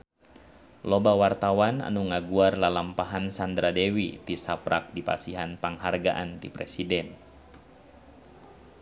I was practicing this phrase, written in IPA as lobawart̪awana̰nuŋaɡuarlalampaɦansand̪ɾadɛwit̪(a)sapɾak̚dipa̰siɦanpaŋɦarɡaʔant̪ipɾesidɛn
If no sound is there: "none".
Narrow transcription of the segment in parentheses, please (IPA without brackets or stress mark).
i